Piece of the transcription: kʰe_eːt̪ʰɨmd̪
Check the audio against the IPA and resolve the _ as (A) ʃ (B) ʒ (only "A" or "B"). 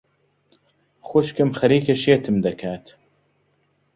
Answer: A